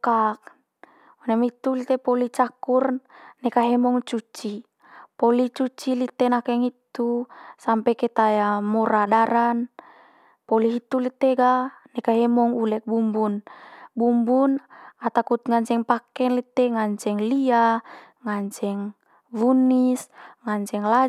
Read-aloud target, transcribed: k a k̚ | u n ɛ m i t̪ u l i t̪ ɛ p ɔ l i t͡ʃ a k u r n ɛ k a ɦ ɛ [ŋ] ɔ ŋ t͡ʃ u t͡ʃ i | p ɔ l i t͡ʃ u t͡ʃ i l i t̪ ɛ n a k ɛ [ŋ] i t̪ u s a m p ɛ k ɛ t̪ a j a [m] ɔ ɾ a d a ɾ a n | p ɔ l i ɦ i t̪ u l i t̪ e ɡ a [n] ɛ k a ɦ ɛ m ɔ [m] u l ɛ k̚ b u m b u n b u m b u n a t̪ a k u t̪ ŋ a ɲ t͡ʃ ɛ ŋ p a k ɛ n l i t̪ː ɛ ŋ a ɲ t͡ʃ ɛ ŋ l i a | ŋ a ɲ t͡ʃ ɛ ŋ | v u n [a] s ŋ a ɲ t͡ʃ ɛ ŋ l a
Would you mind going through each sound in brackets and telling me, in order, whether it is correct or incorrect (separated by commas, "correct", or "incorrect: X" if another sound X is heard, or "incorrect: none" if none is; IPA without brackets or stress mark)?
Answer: incorrect: m, correct, correct, correct, incorrect: ŋ, incorrect: i